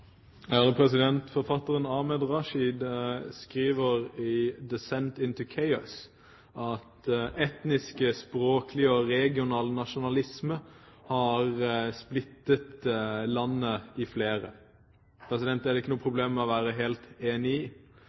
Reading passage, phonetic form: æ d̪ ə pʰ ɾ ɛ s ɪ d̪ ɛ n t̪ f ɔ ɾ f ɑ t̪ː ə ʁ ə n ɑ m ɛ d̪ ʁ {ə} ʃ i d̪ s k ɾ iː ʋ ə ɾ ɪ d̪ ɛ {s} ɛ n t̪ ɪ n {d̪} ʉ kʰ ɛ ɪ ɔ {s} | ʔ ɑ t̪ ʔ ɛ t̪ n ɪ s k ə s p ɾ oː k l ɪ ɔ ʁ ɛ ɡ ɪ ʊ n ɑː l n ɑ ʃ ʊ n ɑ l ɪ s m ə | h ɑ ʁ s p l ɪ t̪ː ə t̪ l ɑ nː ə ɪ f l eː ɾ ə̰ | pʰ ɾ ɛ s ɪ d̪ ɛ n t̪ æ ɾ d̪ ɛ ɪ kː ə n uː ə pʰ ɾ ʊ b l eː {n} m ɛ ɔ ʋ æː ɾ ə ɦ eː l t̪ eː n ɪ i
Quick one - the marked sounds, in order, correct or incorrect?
incorrect, correct, incorrect, correct, incorrect

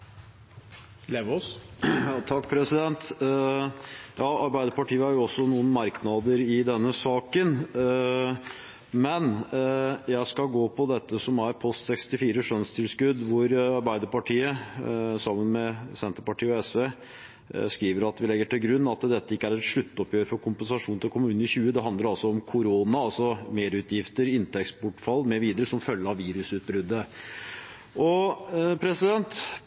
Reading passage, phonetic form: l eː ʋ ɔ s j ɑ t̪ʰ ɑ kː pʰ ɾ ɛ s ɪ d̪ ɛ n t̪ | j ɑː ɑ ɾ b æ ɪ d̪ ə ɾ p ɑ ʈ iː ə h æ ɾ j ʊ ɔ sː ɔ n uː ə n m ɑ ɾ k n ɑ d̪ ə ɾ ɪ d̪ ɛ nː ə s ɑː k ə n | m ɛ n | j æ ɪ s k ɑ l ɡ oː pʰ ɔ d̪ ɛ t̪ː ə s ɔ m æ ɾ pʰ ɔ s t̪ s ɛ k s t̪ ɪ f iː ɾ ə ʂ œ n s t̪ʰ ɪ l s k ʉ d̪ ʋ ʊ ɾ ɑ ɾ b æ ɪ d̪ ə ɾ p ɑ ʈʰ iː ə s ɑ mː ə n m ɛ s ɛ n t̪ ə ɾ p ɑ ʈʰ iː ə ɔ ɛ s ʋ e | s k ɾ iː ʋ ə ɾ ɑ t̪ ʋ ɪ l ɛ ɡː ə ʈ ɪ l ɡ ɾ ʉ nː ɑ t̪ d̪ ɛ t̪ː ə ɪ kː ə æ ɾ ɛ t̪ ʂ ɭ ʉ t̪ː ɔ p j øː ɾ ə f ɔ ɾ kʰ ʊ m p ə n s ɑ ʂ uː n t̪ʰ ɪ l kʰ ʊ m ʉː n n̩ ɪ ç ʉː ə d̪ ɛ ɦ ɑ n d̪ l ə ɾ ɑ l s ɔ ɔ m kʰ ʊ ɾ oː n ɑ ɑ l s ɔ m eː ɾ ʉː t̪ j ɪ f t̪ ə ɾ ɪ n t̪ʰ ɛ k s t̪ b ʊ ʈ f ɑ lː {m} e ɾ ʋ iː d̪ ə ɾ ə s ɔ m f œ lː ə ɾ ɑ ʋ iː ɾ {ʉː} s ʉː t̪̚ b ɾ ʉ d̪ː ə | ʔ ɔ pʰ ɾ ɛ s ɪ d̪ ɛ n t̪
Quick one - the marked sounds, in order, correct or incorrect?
correct, incorrect

